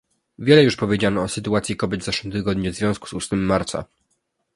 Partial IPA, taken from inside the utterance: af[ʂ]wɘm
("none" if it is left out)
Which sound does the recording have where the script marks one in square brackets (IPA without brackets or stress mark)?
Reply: ʂ